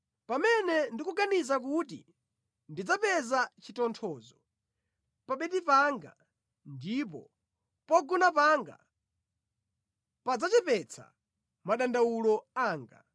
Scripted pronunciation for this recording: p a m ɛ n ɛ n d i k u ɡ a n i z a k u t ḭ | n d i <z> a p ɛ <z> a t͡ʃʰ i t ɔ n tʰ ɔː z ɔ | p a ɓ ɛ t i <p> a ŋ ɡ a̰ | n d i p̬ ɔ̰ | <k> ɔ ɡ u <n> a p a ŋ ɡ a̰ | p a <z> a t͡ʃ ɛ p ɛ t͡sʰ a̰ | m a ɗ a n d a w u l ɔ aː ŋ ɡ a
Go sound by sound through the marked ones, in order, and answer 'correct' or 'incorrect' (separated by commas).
incorrect, correct, correct, incorrect, correct, incorrect